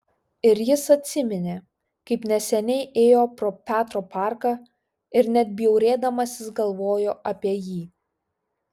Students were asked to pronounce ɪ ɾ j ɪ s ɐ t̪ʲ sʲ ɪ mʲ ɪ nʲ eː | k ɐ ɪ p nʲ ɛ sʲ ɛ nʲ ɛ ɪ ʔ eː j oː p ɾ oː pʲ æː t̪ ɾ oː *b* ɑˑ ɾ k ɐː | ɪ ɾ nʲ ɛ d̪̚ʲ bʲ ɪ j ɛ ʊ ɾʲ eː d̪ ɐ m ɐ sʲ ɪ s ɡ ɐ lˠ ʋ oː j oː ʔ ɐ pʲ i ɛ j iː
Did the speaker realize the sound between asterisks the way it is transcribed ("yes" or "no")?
no